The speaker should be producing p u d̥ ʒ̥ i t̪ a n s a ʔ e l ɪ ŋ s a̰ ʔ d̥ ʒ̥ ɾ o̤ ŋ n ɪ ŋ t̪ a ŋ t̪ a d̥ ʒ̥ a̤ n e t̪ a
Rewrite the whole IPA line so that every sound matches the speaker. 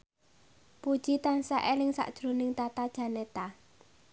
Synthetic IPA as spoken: p u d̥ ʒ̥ i t̪ a n s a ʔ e l ɪ ŋ s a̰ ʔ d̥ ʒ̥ ɾ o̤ n ɪ ŋ t̪ a t̪ a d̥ ʒ̥ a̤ n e t̪ a